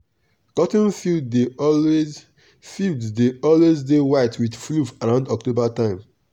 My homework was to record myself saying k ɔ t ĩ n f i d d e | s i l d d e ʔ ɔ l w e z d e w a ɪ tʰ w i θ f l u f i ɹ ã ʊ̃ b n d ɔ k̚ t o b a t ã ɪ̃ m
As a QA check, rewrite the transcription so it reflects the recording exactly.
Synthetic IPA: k ɔ t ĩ n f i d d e | f i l d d e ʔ ɔ l w e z d e w a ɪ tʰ w i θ f l u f a ɹ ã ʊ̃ n d ɔ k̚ t o b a t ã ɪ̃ m